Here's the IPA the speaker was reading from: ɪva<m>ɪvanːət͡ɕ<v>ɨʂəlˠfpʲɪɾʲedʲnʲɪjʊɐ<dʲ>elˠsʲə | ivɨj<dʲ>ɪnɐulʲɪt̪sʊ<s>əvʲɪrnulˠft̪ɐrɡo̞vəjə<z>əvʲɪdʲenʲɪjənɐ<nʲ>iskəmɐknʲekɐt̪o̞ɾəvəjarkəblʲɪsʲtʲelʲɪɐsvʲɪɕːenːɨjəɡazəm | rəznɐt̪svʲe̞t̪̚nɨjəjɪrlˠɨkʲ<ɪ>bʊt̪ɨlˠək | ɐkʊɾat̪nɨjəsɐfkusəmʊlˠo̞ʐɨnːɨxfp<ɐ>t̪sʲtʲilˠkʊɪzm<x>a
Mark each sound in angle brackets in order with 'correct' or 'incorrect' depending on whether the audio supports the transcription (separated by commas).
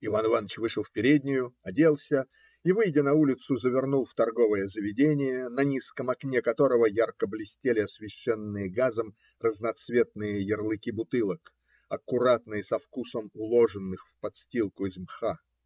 incorrect, correct, correct, correct, incorrect, correct, correct, incorrect, correct, correct